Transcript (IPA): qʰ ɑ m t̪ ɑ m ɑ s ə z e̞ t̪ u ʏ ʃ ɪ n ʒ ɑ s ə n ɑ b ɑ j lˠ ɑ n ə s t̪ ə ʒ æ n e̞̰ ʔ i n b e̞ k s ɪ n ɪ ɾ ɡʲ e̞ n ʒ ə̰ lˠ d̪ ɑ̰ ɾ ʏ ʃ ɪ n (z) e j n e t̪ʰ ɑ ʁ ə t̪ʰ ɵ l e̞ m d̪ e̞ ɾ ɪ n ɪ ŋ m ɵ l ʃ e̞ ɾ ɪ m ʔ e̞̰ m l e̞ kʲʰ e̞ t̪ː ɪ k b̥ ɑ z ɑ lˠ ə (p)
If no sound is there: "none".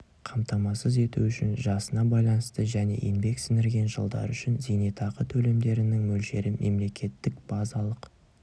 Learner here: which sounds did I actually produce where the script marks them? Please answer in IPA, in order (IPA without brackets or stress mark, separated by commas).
z, q